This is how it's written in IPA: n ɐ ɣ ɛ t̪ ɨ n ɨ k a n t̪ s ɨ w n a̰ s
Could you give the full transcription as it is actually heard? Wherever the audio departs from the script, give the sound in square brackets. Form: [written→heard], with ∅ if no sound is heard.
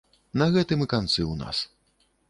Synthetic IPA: n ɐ ɣ ɛ t̪ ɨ [n→m] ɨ k a n t̪ s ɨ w n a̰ s